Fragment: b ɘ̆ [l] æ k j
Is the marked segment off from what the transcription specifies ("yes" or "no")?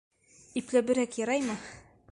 yes